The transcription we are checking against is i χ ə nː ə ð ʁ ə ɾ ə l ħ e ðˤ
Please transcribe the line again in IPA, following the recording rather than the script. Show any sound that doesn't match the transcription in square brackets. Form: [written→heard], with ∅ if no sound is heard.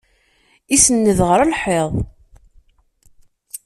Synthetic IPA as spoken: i [χ→s] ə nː ə ð ʁ ə ɾ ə l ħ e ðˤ